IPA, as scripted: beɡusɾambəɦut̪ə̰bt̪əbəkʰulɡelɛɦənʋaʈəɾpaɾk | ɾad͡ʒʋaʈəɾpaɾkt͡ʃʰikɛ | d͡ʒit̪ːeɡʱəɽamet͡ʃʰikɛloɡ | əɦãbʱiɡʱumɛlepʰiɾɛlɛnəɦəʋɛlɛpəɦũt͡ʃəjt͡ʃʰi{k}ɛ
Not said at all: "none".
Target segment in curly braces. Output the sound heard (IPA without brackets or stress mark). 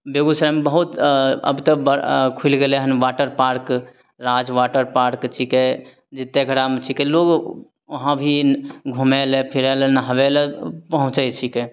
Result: k